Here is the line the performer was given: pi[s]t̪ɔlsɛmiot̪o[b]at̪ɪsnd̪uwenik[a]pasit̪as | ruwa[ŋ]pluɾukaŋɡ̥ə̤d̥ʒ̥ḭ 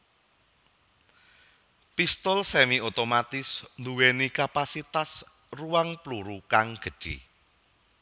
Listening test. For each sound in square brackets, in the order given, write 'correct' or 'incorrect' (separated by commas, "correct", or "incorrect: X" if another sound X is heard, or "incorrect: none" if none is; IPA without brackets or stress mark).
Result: correct, incorrect: m, correct, correct